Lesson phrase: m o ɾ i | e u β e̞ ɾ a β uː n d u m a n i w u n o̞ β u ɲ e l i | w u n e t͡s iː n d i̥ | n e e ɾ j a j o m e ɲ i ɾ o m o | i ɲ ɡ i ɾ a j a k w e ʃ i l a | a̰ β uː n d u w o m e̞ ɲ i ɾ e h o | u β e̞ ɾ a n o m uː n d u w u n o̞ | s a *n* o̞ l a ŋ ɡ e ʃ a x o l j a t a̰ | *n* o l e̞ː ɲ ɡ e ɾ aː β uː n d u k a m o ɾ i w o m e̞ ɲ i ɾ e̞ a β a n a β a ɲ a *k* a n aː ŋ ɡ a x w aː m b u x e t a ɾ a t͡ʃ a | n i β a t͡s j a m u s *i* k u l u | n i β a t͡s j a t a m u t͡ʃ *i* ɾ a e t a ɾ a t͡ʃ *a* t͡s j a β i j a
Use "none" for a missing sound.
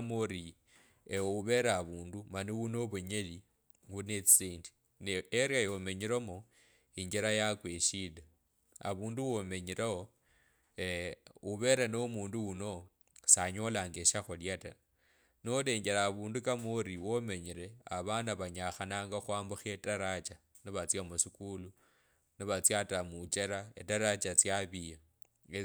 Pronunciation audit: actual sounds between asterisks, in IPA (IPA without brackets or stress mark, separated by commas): ɲ, n, x, i, e, a